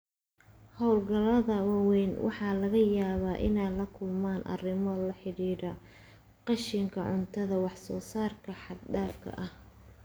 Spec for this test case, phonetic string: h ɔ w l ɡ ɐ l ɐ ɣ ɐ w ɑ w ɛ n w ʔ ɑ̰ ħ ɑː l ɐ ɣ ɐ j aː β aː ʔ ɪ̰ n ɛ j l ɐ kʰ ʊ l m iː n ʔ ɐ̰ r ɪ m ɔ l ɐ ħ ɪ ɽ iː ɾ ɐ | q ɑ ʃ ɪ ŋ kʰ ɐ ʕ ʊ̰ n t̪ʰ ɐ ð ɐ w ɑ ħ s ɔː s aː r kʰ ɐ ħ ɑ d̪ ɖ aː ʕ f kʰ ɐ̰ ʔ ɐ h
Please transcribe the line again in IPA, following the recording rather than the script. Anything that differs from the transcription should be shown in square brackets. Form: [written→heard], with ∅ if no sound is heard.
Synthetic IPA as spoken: h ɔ w l ɡ ɐ l ɐ [ɣ→ð] ɐ w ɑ w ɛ n w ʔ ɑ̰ ħ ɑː l ɐ ɣ ɐ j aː β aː ʔ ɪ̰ n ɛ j l ɐ kʰ ʊ l m [iː→aː] n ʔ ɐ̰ r ɪ m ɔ l ɐ ħ ɪ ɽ iː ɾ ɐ | q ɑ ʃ ɪ ŋ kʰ ɐ ʕ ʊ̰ n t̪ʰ ɐ ð ɐ w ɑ ħ s ɔː s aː r kʰ ɐ ħ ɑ d̪ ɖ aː [ʕ→∅] f kʰ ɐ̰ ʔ ɐ h